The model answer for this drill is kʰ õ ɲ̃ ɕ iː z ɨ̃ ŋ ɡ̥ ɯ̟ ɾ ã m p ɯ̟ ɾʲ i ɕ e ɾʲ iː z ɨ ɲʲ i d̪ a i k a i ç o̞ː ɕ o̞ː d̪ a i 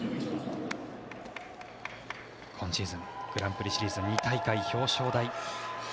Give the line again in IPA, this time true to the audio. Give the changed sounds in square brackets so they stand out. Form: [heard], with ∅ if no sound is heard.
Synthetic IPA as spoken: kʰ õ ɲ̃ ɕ iː z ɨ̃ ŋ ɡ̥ ɯ̟ ɾ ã m p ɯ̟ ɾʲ i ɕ [i] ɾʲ iː z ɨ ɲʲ i [t̪] a i k a i ç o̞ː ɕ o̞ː d̪ a i

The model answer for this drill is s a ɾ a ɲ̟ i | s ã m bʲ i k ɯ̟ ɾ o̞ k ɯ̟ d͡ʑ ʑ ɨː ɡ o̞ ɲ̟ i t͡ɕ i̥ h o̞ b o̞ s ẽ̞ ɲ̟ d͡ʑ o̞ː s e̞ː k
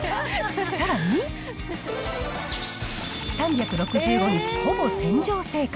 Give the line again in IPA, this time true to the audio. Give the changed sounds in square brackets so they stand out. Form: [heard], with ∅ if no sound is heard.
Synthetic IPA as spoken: s a ɾ a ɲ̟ i | s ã m bʲ [a] k ɯ̟ ɾ o̞ k ɯ̟ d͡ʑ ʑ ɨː ɡ o̞ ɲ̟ i t͡ɕ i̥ h o̞ b o̞ s ẽ̞ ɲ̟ d͡ʑ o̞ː s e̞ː k

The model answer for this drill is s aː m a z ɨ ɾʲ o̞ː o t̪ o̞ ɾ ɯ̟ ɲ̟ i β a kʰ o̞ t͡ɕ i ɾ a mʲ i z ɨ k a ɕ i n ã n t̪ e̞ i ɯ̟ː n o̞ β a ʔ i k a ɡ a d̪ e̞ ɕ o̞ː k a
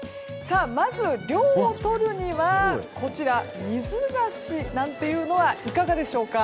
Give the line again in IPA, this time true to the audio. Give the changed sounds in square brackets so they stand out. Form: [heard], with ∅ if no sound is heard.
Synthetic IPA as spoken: s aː m a z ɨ ɾʲ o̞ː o t̪ o̞ ɾ ɯ̟ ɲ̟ i β a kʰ o̞ t͡ɕ i ɾ a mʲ i z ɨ [ɡ] a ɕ i n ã n t̪ e̞ [j] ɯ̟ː n o̞ β a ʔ i k a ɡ a d̪ e̞ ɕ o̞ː k a

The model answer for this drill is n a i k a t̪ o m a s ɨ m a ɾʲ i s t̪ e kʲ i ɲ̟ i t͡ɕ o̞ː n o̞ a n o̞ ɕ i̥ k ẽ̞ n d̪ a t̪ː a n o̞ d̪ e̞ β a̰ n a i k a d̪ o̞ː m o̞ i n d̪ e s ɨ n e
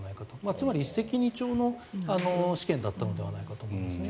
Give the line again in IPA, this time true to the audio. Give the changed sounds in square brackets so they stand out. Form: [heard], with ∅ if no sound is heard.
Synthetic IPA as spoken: n a i k a t̪ o m a [t͡s] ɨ m a ɾʲ i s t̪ e kʲ i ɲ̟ i t͡ɕ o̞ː n o̞ a n o̞ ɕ i̥ k ẽ̞ n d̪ a t̪ː a n o̞ d̪ e̞ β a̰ n a i k a [t̪] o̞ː m o̞ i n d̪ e s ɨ n e

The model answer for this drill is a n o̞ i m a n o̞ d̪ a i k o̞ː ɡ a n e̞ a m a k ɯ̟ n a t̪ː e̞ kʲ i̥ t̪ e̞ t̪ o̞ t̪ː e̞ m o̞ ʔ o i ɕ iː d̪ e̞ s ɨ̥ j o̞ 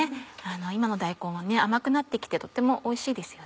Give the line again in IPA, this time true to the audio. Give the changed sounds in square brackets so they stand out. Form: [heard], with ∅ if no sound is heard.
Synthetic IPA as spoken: a n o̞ i m a n o̞ d̪ a i k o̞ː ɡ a n e̞ a m a k ɯ̟ n a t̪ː e̞ kʲ i̥ t̪ e̞ t̪ o̞ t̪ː e̞ m o̞ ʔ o i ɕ iː d̪ e̞ s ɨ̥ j o̞

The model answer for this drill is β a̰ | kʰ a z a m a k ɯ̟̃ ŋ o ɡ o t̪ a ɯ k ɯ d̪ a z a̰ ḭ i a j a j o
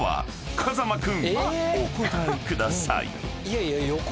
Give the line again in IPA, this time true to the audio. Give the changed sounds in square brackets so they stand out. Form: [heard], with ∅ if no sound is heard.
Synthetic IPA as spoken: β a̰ | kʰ a z a m a k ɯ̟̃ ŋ o [k] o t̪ a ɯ k ɯ d̪ a [s] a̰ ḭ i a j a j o

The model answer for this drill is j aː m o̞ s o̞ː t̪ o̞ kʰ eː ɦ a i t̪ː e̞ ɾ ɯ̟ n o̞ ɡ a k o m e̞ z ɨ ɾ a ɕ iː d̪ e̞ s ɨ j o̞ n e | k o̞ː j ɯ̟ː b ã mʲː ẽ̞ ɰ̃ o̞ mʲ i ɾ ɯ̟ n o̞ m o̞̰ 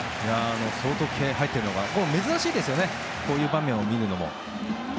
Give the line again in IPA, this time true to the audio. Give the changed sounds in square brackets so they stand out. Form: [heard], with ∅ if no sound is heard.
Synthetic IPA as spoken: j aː [n] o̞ s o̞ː t̪ o̞ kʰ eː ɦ a i t̪ː e̞ ɾ ɯ̟ n o̞ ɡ a k o m e̞ z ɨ ɾ a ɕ iː d̪ e̞ s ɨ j o̞ n e | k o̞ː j ɯ̟ː b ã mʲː ẽ̞ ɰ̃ o̞ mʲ i ɾ ɯ̟ n o̞ m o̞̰

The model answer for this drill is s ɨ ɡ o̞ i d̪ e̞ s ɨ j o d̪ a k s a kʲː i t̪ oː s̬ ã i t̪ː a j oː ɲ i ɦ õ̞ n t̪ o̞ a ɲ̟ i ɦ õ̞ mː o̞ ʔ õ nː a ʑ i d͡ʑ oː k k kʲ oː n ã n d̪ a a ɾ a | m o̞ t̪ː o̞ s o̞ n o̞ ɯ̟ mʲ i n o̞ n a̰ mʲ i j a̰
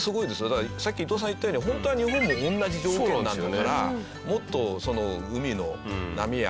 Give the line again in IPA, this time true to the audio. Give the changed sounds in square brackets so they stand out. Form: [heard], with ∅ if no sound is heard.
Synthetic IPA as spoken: s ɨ ɡ o̞ i d̪ e̞ s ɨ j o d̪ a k s a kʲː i t̪ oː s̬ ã i t̪ː a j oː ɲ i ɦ õ̞ n t̪ o̞ a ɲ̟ i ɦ õ̞ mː o̞ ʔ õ nː a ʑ i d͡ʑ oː k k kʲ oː n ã n d̪ a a ɾ a | m o̞ t̪ː o̞ s o̞ n o̞ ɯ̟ mʲ i n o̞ n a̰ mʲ i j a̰

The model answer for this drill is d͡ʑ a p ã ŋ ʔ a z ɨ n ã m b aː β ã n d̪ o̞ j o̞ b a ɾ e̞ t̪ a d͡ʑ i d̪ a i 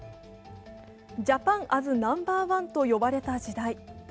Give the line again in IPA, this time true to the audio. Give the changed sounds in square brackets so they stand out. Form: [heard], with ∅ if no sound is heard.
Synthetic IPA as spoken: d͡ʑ a p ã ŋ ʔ a z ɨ n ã m b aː β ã n [t̪] o̞ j o̞ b a ɾ e̞ t̪ a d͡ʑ i d̪ a i

